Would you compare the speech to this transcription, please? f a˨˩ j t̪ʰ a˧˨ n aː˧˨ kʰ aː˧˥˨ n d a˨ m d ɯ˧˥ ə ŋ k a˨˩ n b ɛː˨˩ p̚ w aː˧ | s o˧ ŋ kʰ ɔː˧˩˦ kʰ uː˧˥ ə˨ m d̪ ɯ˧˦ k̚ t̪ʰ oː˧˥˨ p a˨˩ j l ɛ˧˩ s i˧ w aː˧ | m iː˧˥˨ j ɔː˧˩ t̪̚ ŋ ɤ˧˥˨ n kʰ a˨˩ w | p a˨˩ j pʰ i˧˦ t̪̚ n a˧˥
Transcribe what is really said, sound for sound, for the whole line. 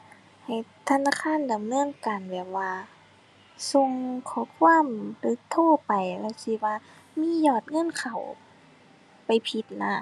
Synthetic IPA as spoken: h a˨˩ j t̪ʰ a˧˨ n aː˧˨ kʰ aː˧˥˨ n d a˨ m n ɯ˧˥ ə ŋ k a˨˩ n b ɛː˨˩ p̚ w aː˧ | s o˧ ŋ kʰ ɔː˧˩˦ kʰ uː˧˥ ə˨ m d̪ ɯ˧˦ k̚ t̪ʰ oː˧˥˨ p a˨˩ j l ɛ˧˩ s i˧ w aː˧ | m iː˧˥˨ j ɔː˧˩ t̪̚ ŋ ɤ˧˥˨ n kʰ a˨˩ w | p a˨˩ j pʰ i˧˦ t̪̚ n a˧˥

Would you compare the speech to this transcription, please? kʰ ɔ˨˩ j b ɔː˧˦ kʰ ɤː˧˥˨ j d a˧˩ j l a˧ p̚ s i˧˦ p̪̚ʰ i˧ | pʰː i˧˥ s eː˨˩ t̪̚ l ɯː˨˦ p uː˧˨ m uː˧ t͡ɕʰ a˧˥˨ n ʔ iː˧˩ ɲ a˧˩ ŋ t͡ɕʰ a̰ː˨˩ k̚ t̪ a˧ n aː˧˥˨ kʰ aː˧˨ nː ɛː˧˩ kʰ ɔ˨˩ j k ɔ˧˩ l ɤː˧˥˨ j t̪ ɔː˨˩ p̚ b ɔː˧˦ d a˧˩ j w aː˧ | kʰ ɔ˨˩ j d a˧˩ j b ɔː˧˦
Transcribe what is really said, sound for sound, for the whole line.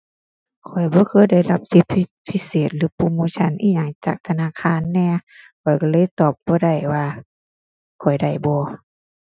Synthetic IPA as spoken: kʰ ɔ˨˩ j b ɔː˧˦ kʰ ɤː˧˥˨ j d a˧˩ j l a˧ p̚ s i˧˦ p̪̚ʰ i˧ | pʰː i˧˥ s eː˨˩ t̪̚ l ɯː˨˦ p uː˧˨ m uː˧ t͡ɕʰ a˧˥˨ n ʔ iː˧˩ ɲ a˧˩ ŋ t͡ɕ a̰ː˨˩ k̚ t̪ʰ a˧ n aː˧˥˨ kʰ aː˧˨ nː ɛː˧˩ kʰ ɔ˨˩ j k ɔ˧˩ l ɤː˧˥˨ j t̪ ɔː˨˩ p̚ b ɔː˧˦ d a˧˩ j w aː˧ | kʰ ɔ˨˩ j d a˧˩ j b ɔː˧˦

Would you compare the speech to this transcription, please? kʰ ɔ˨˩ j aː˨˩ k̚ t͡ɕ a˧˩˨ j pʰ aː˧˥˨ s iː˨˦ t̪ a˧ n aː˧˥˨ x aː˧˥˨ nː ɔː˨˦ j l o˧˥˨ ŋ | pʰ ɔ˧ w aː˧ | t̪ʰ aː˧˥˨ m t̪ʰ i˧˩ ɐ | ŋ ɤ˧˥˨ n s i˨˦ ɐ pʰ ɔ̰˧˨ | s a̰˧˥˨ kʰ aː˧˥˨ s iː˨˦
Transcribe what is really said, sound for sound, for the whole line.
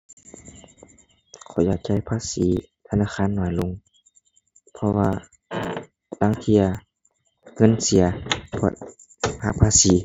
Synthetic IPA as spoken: kʰ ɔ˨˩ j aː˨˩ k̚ t͡ɕ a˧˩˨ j pʰ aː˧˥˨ s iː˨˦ t̪ʰ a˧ n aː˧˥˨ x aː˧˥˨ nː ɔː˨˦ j l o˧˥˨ ŋ | pʰ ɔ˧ w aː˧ | t̪ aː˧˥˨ ŋ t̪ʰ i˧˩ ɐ | ŋ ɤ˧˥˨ n s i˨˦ ɐ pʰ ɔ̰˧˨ | h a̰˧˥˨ pʰ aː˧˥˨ s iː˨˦

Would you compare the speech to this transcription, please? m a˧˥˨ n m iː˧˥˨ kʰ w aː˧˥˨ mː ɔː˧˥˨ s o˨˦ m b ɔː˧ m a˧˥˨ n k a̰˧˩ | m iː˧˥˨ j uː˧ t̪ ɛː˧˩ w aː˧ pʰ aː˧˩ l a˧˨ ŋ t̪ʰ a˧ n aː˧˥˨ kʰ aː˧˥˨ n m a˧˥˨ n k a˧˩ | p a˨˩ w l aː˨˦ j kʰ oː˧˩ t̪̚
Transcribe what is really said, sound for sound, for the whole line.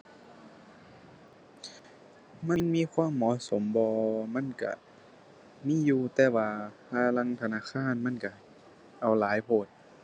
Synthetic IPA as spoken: m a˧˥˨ n m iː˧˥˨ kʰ w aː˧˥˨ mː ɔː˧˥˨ s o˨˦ m b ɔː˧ m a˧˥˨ n k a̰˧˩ | m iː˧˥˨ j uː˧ t̪ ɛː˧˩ w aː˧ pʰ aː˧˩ l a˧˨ ŋ t̪ʰ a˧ n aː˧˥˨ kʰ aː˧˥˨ n m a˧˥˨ n k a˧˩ | ʔ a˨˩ w l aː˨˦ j pʰ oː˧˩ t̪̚

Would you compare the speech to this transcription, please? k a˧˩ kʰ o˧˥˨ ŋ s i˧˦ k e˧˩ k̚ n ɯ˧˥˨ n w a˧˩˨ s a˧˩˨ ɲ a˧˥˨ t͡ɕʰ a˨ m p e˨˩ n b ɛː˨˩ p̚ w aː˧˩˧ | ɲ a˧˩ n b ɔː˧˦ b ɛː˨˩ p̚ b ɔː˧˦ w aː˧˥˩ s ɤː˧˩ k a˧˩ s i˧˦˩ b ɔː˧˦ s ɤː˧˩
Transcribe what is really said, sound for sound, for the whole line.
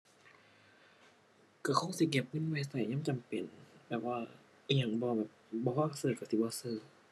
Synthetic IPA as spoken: k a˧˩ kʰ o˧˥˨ ŋ s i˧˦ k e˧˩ p̚ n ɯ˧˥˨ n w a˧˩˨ s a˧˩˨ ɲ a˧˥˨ t͡ɕ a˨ m p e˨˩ n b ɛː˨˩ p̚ w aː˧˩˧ | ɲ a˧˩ ŋ b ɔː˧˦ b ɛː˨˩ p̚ b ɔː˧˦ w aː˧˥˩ s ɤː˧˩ k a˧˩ s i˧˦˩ b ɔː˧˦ s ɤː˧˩

